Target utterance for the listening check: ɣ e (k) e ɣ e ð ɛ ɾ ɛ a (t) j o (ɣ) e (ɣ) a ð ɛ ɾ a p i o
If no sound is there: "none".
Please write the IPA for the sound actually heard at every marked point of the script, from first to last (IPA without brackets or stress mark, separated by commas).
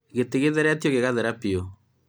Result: t, t, ɣ, ɣ